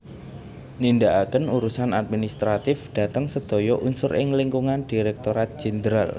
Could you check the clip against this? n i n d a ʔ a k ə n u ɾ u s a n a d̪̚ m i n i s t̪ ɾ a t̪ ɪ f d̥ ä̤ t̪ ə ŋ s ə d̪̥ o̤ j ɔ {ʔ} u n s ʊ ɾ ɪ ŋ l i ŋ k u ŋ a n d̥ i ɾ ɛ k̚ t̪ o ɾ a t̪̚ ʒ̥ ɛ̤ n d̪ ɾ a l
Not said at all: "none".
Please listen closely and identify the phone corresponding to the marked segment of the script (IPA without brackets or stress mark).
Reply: ʔ